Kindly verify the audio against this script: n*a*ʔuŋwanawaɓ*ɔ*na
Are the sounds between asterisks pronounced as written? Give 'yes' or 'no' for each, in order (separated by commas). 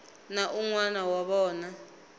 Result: yes, no